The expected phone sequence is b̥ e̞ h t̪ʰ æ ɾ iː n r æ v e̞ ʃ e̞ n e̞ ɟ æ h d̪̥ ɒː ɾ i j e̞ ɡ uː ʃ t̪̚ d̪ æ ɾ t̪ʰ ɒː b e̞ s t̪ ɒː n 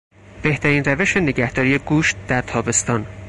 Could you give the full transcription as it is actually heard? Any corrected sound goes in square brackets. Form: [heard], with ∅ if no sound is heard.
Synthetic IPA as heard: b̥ e̞ h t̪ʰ æ ɾ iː n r æ v e̞ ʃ e̞ n e̞ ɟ æ h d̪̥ ɒː ɾ i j e̞ ɡ uː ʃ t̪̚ d̪ æ ɾ t̪ʰ ɒː b e̞ s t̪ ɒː n